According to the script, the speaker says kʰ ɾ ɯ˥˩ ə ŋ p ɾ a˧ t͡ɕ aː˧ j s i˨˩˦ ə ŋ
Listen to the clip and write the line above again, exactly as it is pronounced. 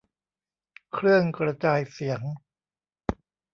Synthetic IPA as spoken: kʰ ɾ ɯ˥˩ ə ŋ k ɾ a˧ t͡ɕ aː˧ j s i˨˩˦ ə ŋ